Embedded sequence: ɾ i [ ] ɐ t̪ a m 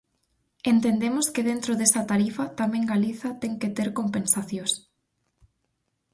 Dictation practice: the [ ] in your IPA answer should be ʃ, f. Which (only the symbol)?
f